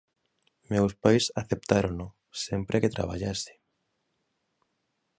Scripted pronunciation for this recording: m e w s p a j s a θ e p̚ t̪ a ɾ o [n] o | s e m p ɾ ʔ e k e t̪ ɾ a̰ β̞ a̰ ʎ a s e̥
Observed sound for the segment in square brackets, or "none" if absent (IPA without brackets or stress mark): n